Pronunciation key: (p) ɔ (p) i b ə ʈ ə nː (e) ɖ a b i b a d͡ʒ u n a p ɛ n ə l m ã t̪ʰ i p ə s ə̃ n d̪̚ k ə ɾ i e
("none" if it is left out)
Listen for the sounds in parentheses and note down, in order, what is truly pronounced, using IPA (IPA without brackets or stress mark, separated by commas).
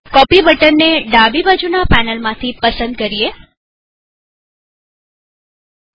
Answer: k, p, e